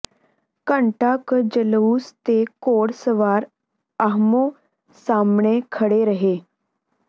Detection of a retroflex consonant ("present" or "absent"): present